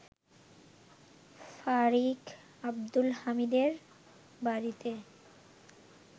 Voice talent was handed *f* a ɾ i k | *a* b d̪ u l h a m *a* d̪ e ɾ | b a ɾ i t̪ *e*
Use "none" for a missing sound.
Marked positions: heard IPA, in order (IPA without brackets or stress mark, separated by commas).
f, a, i, e